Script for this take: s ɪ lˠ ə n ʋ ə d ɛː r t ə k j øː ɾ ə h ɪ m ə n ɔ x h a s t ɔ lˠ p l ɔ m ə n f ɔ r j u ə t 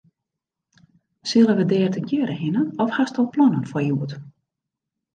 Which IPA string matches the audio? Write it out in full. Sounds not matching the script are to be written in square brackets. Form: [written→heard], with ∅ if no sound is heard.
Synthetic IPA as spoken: s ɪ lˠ ə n ʋ ə d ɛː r t ə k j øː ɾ ə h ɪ [m→n] ə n ɔ [x→f] h a s t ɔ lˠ p l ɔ [m→n] ə n f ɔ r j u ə t